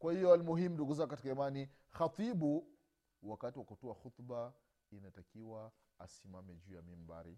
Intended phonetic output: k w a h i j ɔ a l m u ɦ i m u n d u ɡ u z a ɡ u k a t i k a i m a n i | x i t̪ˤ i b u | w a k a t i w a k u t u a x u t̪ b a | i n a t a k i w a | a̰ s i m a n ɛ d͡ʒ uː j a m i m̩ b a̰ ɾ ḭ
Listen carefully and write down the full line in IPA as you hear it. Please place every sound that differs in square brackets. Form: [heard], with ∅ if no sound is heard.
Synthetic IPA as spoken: k w a h i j ɔ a l m u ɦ i m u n d u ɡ u z a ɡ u k a t i k a i m a n i | x [a] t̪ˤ i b u | w a k a t i w a k u t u a x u t̪ b a | i n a t a k i w a | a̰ s i m a [m] ɛ d͡ʒ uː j a m i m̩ b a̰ ɾ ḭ